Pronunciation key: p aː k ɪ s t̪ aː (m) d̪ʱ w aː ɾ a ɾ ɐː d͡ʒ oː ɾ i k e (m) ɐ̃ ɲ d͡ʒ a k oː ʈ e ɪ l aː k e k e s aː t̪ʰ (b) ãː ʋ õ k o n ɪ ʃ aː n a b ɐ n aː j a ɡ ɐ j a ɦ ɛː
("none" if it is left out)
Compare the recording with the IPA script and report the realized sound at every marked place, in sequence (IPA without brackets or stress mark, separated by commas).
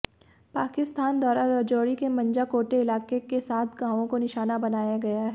n, m, ɡ